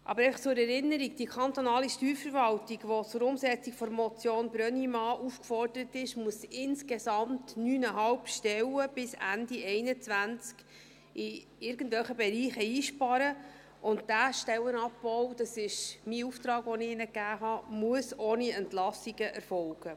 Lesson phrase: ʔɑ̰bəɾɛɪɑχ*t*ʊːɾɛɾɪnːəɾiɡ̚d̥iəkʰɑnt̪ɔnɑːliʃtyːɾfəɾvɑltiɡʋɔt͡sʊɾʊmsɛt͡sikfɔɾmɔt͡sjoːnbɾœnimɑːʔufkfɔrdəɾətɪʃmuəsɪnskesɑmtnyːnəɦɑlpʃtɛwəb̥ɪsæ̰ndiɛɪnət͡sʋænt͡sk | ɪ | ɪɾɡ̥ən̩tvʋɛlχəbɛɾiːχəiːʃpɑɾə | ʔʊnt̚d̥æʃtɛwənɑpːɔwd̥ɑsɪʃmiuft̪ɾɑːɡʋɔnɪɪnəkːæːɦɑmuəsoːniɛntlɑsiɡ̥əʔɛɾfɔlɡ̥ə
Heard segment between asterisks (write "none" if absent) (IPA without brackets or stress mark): t͡s